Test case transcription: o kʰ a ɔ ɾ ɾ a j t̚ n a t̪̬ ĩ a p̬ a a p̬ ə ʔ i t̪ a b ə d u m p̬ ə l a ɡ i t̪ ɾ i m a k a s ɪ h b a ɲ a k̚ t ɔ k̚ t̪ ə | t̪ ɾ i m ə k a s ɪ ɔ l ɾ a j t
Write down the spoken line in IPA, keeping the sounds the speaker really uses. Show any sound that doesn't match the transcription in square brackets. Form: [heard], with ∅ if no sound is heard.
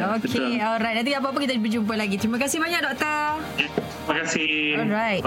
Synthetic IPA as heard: o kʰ [e] ɔ [l] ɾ a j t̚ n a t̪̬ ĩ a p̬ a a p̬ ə [k] i t̪ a b ə [d͡ʒ] u m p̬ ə l a ɡ i t̪ ɾ i m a k a s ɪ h b a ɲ a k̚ [d] ɔ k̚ t̪ ə | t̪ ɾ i m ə k a s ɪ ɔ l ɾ a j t